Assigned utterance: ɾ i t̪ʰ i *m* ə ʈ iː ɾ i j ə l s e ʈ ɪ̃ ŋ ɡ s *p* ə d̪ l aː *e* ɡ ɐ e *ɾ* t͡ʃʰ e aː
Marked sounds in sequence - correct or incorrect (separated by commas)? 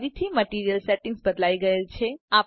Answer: correct, incorrect, incorrect, incorrect